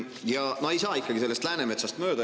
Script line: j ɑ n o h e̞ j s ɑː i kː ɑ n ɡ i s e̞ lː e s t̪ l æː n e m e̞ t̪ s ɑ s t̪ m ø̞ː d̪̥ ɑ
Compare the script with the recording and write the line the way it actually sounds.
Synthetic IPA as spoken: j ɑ n o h e̞ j s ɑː i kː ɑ ɡ i s e̞ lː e s t̪ l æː n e m e̞ t̪ s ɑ s t̪ m ø̞ː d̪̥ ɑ